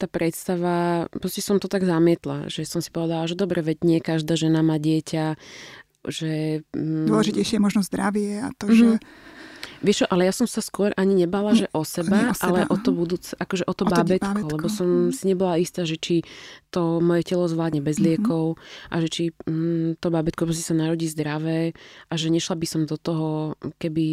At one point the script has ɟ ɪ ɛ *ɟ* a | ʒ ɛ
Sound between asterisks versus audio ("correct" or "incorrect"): incorrect